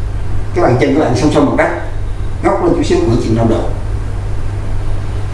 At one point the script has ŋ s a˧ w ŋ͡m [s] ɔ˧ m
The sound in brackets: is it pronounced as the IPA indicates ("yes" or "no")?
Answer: yes